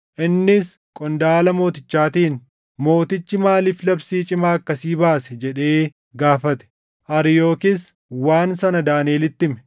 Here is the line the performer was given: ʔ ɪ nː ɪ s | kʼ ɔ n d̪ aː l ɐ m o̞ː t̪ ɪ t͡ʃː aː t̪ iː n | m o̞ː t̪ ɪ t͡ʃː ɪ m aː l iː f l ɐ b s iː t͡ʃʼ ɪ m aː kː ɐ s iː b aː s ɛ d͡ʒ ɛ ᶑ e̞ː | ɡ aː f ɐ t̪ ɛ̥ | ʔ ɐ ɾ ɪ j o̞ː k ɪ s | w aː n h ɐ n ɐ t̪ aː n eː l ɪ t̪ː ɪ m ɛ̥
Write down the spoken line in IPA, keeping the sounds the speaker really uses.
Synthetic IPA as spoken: ʔ ɪ nː ɪ s | kʼ ɔ n d̪ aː l ɐ m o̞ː t̪ ɪ t͡ʃː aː t̪ iː n | m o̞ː t̪ ɪ t͡ʃː ɪ m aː l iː f l ɐ b s iː t͡ʃʼ ɪ m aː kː ɐ s iː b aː s ɛ d͡ʒ ɛ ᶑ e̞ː | ɡ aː f ɐ t̪ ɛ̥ | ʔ ɐ ɾ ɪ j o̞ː k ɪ s | w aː n s ɐ n ɐ d̪ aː n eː l ɪ t̪ː ɪ m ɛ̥